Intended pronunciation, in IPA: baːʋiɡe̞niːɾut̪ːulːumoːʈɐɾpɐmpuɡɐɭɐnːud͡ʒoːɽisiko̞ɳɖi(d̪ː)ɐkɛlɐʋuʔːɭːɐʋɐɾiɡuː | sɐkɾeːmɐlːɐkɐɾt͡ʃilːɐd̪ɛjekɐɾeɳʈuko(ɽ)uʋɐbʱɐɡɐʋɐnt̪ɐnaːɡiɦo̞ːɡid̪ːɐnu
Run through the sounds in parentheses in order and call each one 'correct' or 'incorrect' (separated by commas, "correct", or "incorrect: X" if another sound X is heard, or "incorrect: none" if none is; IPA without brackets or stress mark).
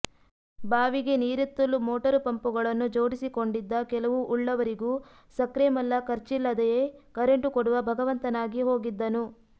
correct, correct